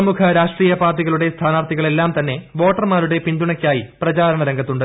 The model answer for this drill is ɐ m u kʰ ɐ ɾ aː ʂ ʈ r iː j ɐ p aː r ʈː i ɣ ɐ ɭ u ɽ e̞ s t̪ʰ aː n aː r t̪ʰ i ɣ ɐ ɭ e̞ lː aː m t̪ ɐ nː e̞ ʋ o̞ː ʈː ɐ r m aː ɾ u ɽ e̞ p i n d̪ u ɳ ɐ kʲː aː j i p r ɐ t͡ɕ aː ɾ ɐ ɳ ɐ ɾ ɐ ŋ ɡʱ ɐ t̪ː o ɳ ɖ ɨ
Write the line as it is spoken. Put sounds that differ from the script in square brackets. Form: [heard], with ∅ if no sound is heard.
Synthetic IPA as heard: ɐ m u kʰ ɐ ɾ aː ʂ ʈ r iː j ɐ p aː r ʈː i ɣ ɐ ɭ u ɽ e̞ s t̪ʰ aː n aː r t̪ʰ i ɣ ɐ ɭ e̞ lː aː m t̪ ɐ nː e̞ ʋ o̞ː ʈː ɐ r m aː ɾ u ɽ e̞ p i n d̪ u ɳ ɐ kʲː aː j i p r ɐ t͡ɕ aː ɾ ɐ ɳ ɐ ɾ ɐ ŋ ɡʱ ɐ t̪ː [u] ɳ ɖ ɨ